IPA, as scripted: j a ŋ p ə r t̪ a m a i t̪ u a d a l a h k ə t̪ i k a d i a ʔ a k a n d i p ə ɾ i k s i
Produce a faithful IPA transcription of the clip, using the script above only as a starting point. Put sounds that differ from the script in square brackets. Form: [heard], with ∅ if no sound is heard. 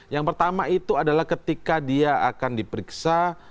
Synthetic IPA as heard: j a ŋ p ə r t̪ a m a i t̪ u a d a l a h k ə t̪ i k a d i a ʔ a k a n d i p ə ɾ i k s [a]